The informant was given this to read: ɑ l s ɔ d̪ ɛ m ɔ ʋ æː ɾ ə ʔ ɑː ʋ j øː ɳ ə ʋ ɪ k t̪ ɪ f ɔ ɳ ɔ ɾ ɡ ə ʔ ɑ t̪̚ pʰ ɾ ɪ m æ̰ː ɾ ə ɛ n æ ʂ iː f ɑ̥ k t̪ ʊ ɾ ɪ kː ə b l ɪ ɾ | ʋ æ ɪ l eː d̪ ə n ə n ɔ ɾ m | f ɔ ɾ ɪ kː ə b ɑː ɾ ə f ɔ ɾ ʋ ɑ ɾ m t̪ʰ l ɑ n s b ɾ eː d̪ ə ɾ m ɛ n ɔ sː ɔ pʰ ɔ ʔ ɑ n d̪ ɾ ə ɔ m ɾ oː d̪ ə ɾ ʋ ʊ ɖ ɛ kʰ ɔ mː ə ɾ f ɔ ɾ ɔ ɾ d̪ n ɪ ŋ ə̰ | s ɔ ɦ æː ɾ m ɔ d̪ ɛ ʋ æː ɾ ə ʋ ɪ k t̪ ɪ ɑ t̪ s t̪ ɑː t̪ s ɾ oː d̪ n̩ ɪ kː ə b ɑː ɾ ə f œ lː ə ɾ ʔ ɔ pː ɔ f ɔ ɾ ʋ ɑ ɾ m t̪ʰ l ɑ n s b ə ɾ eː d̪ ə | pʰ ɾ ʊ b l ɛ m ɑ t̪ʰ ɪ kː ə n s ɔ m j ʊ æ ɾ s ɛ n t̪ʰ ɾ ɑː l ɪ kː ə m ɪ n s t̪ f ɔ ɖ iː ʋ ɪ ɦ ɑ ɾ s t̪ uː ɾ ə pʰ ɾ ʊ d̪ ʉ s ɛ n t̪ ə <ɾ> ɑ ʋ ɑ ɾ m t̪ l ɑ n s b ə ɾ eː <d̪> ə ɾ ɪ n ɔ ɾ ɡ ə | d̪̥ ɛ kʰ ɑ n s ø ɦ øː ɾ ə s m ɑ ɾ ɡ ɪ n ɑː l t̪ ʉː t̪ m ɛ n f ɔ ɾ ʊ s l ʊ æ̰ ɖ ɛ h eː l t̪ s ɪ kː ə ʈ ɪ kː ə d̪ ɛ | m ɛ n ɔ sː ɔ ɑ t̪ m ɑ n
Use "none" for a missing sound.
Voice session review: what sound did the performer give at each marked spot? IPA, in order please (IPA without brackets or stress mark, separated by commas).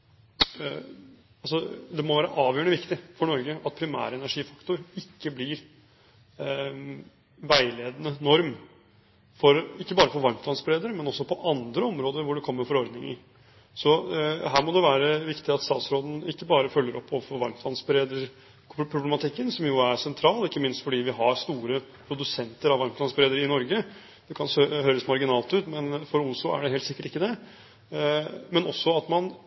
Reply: ɾ, d̪